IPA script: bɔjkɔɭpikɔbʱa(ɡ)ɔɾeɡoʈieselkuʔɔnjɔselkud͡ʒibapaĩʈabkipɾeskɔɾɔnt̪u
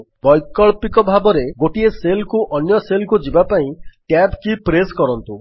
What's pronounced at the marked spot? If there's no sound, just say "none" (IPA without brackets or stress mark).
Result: b